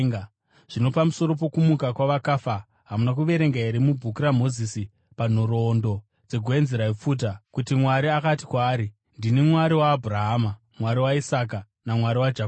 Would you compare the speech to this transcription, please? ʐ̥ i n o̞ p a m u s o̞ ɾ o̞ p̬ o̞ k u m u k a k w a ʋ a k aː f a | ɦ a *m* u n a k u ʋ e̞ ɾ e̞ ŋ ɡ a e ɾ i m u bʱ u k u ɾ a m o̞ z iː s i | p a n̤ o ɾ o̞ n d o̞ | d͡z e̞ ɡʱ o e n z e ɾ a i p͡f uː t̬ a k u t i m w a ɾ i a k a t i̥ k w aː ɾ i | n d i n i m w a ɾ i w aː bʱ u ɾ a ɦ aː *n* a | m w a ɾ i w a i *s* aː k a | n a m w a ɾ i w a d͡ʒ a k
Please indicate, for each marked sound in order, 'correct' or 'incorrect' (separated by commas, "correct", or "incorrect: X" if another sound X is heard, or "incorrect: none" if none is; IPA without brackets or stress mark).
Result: correct, incorrect: m, correct